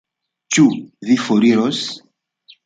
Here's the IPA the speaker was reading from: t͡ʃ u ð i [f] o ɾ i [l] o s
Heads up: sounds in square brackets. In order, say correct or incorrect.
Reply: correct, incorrect

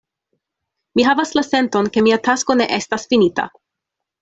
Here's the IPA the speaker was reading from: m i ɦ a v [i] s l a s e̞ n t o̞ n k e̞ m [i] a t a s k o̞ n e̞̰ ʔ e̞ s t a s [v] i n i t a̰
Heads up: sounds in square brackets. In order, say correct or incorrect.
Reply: incorrect, correct, incorrect

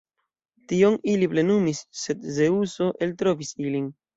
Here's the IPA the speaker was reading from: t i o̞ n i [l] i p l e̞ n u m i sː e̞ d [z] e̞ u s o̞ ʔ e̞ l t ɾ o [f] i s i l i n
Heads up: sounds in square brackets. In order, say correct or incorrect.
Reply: correct, correct, incorrect

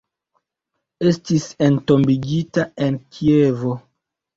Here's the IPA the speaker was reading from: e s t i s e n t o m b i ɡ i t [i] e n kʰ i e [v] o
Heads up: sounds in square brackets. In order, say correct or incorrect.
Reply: incorrect, correct

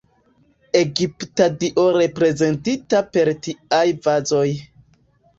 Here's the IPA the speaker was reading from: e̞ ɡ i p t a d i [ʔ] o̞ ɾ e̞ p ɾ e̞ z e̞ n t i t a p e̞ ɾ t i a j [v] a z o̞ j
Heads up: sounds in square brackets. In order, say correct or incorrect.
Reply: correct, correct

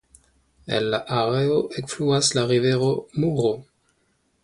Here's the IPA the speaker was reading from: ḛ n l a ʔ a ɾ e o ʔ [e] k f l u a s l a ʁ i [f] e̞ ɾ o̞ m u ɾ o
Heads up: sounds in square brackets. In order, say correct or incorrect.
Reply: correct, incorrect

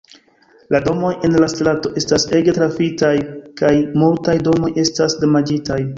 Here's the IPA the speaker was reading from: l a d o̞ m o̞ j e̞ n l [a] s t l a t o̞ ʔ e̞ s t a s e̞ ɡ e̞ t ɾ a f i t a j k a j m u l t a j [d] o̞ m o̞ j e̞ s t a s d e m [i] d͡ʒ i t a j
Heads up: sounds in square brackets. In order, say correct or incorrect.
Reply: correct, correct, incorrect

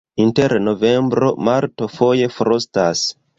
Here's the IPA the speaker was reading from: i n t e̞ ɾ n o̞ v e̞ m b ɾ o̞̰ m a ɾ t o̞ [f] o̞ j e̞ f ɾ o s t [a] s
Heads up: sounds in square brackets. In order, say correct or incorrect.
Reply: correct, correct

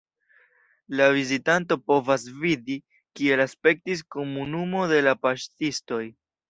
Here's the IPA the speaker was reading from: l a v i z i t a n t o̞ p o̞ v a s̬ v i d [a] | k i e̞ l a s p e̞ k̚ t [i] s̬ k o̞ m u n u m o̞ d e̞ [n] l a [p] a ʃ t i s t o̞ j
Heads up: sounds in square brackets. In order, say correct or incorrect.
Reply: incorrect, correct, incorrect, correct

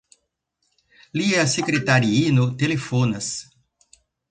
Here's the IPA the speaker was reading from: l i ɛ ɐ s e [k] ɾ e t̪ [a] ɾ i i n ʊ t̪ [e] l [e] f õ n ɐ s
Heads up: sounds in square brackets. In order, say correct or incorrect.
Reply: correct, correct, correct, correct

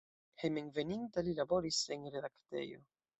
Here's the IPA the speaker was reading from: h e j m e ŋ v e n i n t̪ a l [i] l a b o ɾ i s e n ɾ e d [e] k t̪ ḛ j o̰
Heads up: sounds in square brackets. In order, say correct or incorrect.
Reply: correct, incorrect

